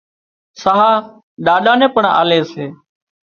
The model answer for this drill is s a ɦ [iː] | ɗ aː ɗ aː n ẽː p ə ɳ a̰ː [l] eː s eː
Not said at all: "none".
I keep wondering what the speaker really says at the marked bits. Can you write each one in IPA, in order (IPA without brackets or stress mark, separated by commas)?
aː, l